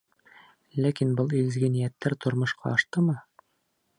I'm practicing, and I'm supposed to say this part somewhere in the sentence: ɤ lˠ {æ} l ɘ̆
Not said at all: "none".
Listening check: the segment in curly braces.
i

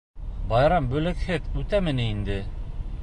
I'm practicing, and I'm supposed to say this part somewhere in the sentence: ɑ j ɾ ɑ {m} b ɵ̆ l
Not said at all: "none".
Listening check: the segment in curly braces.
m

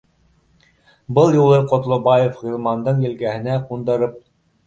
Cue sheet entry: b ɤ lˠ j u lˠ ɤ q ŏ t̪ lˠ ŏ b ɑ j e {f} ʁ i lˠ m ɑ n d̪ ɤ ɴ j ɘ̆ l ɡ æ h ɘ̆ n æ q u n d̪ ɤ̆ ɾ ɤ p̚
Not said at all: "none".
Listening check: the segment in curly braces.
f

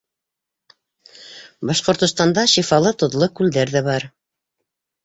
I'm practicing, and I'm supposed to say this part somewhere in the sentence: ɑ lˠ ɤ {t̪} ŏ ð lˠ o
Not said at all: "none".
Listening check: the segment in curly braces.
t̪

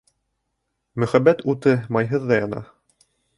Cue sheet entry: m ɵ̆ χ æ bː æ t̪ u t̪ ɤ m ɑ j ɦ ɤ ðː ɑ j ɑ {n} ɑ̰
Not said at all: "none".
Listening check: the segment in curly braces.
n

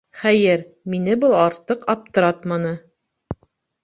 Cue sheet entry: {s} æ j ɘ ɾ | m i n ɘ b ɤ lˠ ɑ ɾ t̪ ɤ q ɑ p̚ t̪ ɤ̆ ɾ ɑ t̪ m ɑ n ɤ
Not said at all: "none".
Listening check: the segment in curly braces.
χ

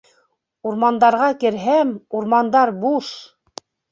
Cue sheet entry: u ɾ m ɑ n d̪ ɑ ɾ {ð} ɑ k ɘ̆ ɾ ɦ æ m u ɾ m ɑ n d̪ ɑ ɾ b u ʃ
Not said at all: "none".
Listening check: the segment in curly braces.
ʁ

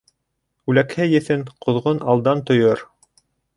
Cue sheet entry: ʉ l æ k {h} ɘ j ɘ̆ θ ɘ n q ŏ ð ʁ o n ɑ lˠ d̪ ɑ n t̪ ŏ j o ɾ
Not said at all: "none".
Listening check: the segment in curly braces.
h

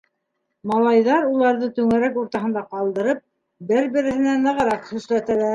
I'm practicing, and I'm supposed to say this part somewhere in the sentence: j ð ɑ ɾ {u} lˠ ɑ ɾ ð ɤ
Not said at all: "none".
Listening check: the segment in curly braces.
u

